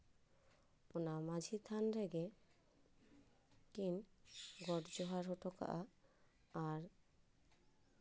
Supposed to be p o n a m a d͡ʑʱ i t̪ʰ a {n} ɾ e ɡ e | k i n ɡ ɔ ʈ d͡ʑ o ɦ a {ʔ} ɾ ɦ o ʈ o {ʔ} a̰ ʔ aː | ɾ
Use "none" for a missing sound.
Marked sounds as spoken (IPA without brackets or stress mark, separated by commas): n, none, k